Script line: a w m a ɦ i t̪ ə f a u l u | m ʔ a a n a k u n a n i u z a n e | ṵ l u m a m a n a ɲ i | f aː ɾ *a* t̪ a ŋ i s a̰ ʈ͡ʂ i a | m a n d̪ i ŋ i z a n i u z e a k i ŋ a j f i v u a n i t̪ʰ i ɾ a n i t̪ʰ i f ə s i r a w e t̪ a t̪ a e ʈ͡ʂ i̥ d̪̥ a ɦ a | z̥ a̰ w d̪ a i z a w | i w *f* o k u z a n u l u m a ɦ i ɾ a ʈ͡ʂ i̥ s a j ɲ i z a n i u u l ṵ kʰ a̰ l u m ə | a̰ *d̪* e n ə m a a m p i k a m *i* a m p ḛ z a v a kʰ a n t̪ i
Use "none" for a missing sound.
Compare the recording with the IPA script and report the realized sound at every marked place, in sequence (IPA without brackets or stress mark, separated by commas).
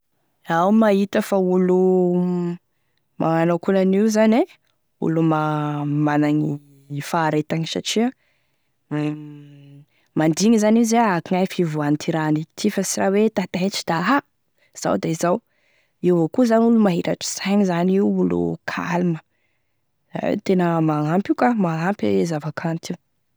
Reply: e, v, t̪, a